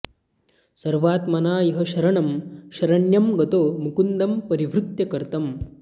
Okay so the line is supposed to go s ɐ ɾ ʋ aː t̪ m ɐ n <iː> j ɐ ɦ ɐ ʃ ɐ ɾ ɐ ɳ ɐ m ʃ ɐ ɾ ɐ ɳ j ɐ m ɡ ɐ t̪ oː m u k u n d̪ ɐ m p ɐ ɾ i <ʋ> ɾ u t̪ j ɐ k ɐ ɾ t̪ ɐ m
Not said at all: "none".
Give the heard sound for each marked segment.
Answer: aː, ʋ

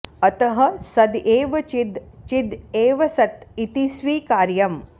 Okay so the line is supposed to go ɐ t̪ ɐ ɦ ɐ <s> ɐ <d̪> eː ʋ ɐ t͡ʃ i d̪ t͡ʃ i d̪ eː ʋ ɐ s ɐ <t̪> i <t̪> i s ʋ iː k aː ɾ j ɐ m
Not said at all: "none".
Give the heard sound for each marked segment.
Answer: s, d̪, t̪, t̪

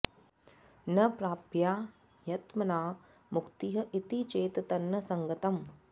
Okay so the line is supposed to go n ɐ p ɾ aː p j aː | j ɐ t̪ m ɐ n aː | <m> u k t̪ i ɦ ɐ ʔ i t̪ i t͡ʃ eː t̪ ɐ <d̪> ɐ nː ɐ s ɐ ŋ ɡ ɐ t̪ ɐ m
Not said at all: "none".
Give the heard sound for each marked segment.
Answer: m, t̪

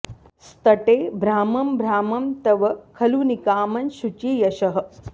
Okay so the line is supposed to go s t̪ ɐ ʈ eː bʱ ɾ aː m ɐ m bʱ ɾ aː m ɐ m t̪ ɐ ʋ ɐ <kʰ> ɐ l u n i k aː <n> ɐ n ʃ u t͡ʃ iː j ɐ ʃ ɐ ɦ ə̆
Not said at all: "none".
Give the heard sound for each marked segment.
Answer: kʰ, m

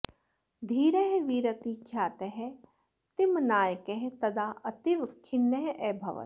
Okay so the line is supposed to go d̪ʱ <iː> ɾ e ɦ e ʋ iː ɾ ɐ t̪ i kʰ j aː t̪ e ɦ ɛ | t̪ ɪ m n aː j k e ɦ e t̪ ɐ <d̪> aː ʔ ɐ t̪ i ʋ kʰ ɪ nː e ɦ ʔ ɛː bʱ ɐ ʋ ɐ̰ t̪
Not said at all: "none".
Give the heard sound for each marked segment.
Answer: iː, d̪

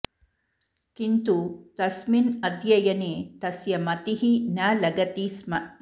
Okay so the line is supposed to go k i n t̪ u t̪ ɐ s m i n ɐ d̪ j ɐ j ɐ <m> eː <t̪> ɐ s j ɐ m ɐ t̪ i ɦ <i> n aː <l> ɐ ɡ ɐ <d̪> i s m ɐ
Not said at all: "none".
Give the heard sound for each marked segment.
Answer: n, t̪, i, l, t̪

